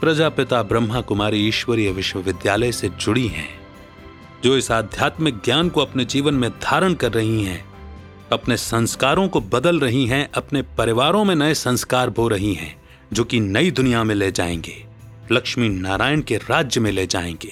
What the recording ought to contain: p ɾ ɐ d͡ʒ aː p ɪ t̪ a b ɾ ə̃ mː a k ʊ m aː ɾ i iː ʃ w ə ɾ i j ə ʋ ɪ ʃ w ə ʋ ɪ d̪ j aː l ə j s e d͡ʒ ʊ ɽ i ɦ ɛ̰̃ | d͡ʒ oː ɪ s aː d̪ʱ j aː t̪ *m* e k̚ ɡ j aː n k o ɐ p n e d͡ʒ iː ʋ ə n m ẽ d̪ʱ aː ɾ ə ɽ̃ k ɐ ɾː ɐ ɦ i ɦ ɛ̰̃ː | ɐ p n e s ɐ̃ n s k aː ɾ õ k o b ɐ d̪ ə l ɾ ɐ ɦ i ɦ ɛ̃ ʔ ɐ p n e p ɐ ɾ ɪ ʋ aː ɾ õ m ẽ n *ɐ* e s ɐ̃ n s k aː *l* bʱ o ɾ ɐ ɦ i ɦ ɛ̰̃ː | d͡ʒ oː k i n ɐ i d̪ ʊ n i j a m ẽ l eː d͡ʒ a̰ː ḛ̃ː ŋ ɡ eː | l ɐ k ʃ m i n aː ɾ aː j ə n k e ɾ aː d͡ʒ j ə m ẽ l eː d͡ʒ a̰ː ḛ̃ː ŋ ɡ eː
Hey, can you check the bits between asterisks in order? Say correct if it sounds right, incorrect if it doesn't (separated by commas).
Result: correct, correct, incorrect